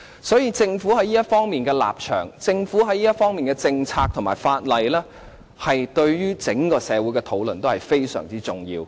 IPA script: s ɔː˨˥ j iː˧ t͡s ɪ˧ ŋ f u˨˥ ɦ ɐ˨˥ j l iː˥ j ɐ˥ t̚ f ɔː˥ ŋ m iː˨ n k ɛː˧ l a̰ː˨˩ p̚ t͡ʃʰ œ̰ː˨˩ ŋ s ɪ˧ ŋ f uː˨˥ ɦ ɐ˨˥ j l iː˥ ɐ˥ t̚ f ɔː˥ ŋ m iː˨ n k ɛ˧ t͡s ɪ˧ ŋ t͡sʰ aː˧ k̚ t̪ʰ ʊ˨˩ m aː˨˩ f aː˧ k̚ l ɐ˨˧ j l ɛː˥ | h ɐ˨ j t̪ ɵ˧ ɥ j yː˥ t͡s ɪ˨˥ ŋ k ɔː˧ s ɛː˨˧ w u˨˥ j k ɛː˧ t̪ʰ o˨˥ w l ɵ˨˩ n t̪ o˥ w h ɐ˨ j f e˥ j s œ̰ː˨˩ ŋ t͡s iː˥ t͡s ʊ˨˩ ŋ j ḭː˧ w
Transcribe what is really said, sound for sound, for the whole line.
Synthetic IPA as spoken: s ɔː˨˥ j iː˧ t͡s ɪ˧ ŋ f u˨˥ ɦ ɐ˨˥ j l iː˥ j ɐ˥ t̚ f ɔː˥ ŋ m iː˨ n k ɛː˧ l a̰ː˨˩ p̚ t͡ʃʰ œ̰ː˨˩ ŋ t͡s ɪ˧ ŋ f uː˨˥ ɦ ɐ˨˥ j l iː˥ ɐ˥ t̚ f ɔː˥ ŋ m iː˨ n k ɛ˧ t͡s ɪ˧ ŋ t͡sʰ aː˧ k̚ t̪ʰ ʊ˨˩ m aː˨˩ f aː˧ t̚ l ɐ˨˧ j l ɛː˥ | h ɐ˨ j t̪ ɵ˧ ɥ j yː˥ t͡s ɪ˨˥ ŋ k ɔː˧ s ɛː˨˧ w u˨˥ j k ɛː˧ t̪ʰ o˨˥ w l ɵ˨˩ n t̪ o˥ w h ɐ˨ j f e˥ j s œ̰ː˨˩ ŋ t͡s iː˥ t͡s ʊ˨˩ ŋ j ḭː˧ w